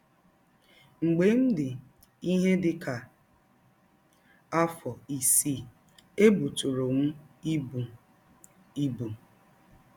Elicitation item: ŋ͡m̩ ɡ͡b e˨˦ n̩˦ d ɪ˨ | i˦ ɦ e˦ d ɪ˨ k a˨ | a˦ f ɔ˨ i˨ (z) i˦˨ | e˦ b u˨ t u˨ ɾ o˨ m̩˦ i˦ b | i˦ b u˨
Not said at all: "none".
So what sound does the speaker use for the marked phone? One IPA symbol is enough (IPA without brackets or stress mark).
s